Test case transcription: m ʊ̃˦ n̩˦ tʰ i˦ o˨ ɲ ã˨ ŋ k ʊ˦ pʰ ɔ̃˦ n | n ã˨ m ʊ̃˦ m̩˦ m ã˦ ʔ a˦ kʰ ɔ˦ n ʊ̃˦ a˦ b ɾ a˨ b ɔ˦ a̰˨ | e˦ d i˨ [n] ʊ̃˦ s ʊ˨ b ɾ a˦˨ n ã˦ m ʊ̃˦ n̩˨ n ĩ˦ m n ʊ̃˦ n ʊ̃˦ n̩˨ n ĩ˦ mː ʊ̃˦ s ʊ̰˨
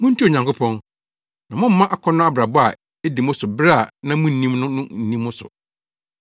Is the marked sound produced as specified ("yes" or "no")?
no